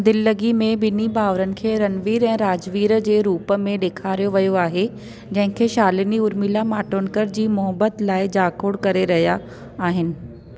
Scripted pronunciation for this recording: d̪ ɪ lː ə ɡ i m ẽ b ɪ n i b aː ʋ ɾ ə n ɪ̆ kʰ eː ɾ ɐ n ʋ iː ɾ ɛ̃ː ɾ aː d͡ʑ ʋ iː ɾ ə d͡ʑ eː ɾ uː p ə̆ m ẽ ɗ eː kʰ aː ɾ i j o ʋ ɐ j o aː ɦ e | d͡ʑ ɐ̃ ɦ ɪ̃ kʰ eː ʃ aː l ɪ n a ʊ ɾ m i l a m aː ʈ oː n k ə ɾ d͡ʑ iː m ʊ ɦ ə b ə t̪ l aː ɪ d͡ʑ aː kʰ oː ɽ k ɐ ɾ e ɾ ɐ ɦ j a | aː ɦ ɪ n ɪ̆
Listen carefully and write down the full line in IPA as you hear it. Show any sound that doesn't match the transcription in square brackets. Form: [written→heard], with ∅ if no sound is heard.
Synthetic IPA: d̪ ɪ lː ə ɡ i m ẽ b ɪ n i b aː ʋ ɾ ə n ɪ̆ kʰ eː ɾ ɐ n ʋ iː ɾ ɛ̃ː ɾ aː d͡ʑ ʋ iː ɾ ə d͡ʑ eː ɾ uː p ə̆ m ẽ ɗ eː kʰ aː ɾ i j o ʋ ɐ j o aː ɦ e | d͡ʑ ɐ̃ ɦ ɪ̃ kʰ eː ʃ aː l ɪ n [a→i] ʊ ɾ m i l a m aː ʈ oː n k ə ɾ d͡ʑ iː m ʊ ɦ ə b ə t̪ l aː ɪ d͡ʑ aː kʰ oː ɽ k ɐ ɾ e ɾ ɐ ɦ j a | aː ɦ ɪ n ɪ̆